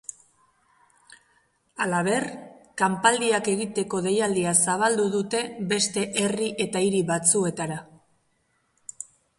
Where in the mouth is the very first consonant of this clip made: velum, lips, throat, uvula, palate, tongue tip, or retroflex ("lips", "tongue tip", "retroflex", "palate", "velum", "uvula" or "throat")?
tongue tip